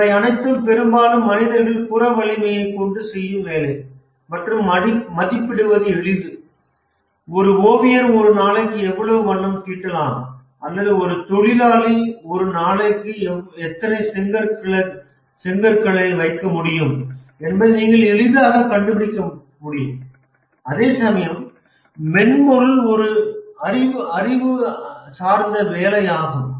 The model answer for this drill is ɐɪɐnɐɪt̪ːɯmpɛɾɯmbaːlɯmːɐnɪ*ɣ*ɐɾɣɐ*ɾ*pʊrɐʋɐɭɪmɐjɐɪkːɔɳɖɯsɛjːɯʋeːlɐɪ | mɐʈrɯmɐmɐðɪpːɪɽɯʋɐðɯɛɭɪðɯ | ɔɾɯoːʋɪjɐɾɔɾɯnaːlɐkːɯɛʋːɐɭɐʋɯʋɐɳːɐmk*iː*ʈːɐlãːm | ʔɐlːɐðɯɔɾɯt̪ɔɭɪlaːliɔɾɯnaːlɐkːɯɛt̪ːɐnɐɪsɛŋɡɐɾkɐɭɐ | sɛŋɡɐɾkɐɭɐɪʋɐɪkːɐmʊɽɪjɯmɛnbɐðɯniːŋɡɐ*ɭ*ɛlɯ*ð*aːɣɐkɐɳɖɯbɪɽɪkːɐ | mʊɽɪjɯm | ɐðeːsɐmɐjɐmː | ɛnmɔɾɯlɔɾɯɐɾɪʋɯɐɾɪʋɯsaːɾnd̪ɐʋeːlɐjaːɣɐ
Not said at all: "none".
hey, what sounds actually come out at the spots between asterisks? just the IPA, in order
ð, ɭ, iː, ɭ, ð

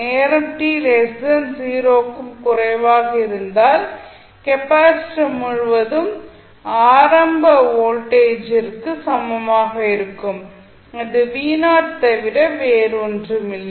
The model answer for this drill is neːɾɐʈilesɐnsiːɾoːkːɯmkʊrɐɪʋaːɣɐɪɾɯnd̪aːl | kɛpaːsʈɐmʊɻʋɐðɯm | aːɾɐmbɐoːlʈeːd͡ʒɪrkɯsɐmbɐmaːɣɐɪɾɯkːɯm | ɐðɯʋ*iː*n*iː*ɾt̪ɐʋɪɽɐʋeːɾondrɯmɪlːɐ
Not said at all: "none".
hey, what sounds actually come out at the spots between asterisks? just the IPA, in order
iː, aː

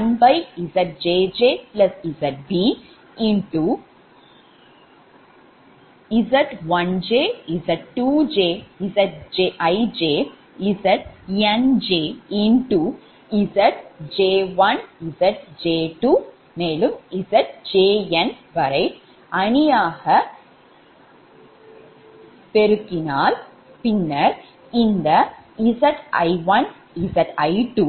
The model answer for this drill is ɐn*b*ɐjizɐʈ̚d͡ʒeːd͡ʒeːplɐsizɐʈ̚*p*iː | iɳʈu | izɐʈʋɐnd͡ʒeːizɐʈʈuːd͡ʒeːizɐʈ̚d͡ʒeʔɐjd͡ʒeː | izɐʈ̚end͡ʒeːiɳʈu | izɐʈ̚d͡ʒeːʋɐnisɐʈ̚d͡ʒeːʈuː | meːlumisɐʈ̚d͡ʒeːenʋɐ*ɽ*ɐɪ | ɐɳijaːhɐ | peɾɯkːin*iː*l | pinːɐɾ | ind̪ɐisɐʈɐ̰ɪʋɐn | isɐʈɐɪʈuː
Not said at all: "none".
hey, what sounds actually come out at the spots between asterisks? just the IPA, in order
b, b, ɾ, aː

